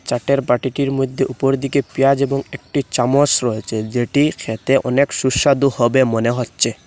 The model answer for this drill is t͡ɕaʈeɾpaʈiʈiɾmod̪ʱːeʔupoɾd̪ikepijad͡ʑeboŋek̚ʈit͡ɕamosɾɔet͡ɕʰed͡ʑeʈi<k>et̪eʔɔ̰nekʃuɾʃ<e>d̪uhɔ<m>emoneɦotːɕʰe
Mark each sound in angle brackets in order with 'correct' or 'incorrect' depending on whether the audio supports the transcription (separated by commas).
incorrect, incorrect, incorrect